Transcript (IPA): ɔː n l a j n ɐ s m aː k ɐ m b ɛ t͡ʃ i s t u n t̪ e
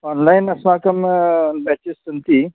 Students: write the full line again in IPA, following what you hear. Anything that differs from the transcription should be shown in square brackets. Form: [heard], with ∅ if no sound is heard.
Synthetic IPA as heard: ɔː n l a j n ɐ s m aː k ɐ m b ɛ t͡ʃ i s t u n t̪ [i]